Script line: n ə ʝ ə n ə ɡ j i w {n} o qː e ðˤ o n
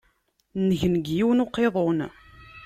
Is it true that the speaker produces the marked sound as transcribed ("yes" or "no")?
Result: yes